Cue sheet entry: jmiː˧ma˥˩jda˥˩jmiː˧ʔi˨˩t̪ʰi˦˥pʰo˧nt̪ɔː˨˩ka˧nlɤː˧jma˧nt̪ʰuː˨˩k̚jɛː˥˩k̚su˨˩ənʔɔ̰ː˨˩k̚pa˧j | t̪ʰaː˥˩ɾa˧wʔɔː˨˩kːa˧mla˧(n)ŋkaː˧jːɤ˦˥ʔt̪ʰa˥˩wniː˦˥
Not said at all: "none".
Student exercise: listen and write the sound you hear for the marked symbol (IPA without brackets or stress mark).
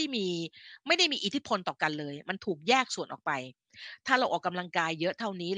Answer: none